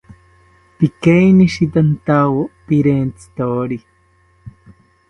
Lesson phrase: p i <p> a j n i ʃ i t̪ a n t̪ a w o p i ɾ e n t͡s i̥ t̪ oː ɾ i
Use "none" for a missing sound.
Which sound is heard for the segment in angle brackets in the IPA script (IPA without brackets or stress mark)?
k